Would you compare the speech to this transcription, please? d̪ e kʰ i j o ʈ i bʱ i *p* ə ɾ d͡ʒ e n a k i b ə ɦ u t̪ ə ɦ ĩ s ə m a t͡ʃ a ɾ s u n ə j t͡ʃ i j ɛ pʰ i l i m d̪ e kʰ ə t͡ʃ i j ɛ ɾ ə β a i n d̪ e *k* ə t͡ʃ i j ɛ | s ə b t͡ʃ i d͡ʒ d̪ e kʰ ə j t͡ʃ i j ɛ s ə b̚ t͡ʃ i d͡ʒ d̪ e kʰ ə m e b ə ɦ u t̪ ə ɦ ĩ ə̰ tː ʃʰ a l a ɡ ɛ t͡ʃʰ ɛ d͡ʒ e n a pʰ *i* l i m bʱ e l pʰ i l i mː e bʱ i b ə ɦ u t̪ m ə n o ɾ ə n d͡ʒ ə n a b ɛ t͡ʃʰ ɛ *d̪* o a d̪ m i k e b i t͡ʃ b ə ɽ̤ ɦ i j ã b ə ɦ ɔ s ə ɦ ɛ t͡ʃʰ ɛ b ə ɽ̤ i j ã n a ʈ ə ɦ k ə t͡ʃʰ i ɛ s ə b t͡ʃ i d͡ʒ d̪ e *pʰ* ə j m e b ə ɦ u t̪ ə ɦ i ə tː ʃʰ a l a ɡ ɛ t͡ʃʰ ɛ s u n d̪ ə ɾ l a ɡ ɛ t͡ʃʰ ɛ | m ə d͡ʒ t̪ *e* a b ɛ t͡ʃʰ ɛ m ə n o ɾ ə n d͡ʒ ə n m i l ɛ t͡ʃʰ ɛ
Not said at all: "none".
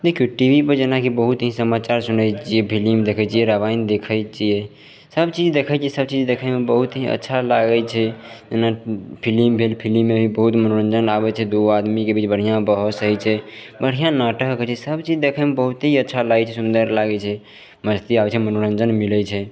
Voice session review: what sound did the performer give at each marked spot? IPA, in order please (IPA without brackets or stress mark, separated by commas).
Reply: p, kʰ, i, d̪, kʰ, i